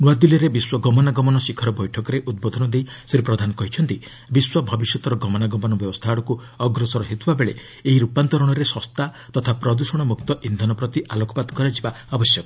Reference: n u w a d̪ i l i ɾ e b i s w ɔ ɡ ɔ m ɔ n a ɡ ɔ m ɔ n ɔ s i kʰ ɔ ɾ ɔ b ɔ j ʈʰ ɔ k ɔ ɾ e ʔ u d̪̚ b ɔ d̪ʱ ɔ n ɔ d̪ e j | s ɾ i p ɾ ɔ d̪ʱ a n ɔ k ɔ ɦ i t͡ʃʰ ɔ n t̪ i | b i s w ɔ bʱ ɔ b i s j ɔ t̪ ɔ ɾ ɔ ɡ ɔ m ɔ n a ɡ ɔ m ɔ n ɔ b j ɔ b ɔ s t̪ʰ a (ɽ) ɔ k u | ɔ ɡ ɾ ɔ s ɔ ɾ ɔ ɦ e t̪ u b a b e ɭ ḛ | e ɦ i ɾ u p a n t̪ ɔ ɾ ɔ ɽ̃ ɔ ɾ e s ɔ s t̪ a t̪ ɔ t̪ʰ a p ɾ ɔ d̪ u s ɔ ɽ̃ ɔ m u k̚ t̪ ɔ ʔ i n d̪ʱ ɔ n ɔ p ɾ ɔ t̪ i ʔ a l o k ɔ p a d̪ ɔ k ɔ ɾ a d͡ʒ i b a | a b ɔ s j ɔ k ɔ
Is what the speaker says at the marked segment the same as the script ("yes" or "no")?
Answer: yes